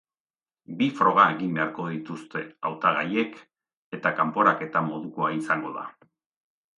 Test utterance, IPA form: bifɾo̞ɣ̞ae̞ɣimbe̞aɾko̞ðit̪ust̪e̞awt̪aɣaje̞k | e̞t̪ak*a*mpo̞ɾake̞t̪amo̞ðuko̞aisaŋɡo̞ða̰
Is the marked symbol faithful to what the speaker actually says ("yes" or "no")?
yes